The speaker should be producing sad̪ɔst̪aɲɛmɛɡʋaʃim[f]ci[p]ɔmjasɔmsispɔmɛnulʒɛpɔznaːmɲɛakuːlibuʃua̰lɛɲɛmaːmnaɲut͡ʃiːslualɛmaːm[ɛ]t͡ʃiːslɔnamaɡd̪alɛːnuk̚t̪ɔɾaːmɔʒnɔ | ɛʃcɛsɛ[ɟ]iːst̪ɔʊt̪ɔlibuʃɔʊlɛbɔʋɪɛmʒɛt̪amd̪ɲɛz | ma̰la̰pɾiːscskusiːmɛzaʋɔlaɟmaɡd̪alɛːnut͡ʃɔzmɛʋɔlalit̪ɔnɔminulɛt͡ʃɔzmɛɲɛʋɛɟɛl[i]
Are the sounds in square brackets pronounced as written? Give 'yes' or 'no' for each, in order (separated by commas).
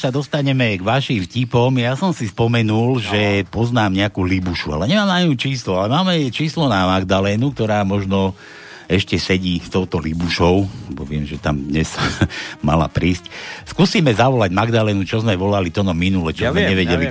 yes, yes, yes, yes, yes